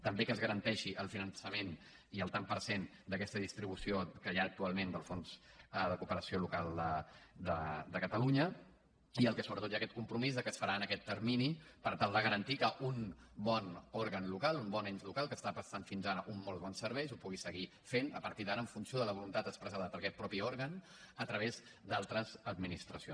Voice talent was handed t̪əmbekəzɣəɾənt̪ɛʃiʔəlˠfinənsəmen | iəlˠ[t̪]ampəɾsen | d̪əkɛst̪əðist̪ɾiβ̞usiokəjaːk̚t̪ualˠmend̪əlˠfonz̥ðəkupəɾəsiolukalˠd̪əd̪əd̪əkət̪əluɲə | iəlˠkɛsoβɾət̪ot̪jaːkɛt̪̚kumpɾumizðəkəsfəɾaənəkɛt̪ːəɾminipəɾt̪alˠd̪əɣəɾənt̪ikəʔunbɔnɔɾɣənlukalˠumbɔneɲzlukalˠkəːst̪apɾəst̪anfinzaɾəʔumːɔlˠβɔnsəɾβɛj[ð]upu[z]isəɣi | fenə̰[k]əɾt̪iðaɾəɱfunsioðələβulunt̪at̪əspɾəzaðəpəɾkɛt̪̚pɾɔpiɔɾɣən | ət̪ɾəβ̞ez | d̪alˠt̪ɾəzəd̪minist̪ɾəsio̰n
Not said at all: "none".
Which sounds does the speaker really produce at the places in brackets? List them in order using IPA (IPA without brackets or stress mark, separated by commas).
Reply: t̪, z, ɣ, p